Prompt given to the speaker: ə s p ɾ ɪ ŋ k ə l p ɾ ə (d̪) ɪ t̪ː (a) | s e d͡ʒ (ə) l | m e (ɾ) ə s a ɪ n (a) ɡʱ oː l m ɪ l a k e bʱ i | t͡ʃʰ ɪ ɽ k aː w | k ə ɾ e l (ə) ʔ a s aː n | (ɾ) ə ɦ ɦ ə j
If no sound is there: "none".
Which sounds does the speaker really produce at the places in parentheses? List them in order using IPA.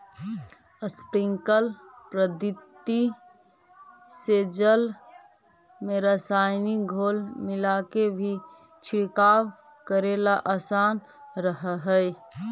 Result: d̪, i, ə, ɾ, i, a, ɾ

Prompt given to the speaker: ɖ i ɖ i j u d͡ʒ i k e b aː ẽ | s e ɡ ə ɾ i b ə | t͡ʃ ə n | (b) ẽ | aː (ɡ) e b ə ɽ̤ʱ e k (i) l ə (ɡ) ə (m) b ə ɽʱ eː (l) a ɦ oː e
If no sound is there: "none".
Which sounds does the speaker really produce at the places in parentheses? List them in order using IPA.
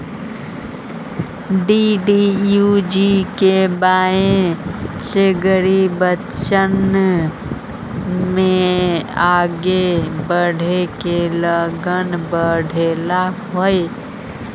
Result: m, ɡ, e, ɡ, n, l

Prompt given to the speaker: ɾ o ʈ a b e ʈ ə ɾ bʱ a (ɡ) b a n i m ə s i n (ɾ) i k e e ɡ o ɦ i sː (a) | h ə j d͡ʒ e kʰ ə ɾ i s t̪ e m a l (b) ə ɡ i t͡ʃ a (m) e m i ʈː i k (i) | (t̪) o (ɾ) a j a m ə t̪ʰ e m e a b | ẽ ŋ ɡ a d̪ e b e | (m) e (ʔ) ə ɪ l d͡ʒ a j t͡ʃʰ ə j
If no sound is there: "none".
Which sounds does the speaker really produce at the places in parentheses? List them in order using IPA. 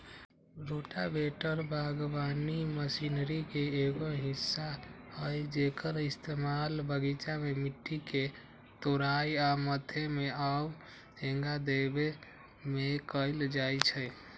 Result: ɡ, ɾ, a, b, m, e, t̪, ɾ, m, k

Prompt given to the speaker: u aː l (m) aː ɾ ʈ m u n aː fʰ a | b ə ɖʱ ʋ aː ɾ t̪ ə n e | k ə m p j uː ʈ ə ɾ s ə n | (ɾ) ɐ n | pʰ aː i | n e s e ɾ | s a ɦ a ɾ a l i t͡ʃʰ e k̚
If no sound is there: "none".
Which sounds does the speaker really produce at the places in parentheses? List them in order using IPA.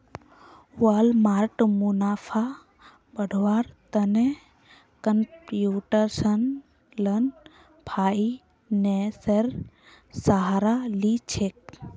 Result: m, l

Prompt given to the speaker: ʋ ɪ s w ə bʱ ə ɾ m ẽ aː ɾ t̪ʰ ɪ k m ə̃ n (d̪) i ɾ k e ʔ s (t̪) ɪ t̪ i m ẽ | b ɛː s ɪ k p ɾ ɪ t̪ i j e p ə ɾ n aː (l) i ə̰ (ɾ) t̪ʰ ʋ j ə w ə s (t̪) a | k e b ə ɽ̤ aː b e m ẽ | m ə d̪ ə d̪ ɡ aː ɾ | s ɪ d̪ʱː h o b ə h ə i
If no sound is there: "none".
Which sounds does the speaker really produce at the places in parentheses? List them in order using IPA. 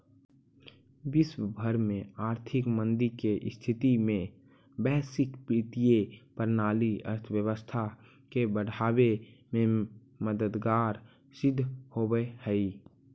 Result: d̪, t̪ʰ, l, ɾ, t̪ʰ

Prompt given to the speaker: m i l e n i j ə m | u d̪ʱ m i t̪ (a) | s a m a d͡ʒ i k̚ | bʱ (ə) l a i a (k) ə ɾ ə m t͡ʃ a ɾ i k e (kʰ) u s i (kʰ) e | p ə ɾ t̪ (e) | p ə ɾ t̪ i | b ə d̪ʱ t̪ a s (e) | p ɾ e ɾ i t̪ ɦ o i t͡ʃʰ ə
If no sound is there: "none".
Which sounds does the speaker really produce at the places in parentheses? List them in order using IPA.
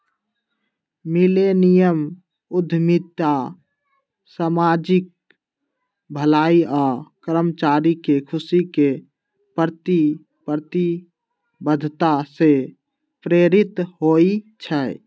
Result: a, ə, k, kʰ, k, i, e

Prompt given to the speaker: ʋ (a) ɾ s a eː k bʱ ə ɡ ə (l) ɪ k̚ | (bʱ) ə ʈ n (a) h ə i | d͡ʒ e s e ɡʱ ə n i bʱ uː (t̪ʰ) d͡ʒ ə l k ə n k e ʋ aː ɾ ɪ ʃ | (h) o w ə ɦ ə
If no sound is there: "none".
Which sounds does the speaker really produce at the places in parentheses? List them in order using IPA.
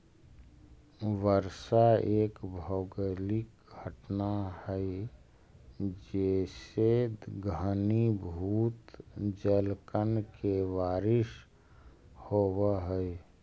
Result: ə, l, ɡʱ, a, t̪, h

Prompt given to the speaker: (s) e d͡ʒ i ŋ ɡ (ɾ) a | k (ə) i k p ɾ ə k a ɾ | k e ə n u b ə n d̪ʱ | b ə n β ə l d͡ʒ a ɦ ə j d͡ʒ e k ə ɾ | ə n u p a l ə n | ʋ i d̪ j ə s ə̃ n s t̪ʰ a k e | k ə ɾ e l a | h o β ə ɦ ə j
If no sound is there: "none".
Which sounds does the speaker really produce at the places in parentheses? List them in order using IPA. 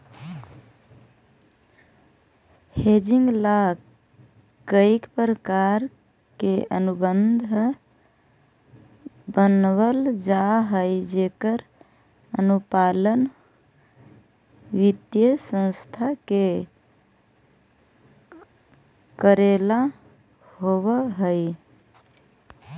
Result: h, l, ə

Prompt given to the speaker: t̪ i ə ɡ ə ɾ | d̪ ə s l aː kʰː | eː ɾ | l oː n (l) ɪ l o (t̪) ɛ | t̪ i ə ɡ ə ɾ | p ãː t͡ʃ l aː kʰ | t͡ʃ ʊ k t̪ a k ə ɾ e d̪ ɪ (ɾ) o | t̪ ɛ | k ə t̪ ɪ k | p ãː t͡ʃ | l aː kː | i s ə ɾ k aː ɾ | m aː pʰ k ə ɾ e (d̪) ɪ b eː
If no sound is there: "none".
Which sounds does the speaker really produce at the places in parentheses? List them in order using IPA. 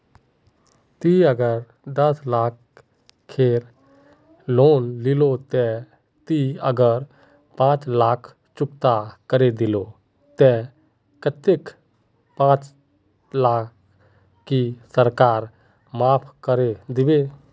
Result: l, t̪, l, d̪

